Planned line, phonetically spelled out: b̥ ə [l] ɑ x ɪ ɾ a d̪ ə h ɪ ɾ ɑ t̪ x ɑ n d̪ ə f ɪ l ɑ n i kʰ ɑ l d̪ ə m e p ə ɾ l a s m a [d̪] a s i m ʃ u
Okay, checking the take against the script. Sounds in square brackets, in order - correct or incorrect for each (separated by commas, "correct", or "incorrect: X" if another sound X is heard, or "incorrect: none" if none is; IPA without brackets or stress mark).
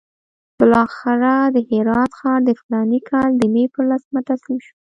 correct, incorrect: t̪